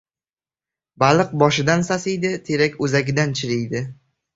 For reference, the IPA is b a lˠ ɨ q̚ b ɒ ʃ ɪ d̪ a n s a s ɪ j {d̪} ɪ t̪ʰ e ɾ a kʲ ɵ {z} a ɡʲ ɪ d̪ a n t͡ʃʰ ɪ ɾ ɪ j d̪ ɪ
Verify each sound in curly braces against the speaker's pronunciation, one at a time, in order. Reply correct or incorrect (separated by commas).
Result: correct, correct